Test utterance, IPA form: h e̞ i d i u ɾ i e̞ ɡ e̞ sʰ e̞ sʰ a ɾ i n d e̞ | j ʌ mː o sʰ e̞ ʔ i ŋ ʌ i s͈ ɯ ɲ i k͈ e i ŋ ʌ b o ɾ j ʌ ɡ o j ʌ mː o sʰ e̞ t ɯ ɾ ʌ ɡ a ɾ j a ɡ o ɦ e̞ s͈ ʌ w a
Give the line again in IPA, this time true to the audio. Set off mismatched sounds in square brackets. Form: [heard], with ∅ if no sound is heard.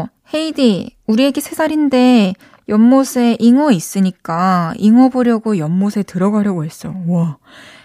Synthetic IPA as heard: h e̞ i d i u ɾ i e̞ ɡ e̞ sʰ e̞ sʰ a ɾ i n d e̞ | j ʌ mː o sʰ e̞ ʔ i ŋ ʌ i s͈ ɯ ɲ i k͈ [a] i ŋ ʌ b o ɾ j ʌ ɡ o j ʌ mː o sʰ e̞ t ɯ ɾ ʌ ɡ a ɾ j [ʌ] ɡ o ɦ e̞ s͈ ʌ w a